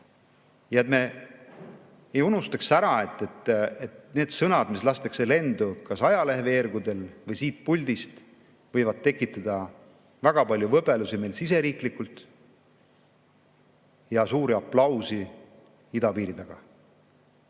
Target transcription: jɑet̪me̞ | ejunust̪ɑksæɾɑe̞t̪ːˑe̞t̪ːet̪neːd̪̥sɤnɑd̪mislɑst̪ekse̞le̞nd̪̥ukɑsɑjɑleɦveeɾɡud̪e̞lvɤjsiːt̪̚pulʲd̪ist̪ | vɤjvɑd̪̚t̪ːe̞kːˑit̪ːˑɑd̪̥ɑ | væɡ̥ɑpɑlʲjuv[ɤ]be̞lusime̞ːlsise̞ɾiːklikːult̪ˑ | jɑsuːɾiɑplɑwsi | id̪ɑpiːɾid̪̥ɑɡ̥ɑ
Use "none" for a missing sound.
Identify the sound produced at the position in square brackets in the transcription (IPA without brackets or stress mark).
ɤ